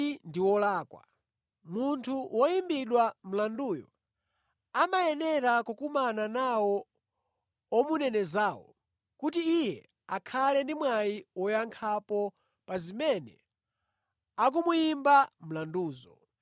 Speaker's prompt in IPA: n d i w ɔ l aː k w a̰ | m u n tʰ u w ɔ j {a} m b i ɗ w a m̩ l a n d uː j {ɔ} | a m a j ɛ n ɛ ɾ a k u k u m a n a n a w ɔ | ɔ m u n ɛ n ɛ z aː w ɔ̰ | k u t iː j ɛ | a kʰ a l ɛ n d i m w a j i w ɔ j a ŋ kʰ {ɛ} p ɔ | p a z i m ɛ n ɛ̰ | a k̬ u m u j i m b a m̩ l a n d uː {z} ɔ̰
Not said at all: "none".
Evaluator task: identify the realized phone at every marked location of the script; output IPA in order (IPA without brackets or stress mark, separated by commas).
i, ɔ, a, z